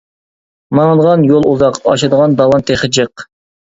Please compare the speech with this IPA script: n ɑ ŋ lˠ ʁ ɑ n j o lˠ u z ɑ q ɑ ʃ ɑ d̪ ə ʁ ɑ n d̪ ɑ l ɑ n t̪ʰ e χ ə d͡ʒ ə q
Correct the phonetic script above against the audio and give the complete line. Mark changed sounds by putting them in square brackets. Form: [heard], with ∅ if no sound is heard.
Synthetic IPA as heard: [m] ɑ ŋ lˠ ʁ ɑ n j o lˠ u z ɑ q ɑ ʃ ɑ d̪ ə ʁ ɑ n d̪ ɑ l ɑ n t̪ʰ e χ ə d͡ʒ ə q